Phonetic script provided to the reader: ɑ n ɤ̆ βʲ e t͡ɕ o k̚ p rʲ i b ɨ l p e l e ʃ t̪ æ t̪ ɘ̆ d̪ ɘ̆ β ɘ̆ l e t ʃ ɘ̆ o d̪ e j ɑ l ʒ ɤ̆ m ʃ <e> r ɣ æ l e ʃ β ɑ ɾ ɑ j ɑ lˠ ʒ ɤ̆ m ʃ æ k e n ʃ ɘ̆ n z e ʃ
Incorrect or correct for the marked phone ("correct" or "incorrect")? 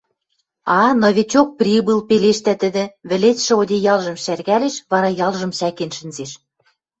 incorrect